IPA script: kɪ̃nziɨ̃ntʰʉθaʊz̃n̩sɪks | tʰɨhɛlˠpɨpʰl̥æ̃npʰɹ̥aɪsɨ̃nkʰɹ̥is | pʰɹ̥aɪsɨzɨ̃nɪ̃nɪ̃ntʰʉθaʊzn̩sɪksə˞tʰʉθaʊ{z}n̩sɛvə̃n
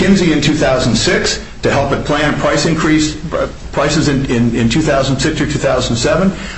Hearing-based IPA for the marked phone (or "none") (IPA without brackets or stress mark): z